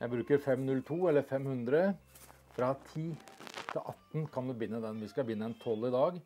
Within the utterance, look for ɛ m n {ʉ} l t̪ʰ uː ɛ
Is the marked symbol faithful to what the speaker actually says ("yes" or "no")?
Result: yes